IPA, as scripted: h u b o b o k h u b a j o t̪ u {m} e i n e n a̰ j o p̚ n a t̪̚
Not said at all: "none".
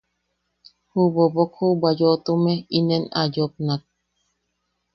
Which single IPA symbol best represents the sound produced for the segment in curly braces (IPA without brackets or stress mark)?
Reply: m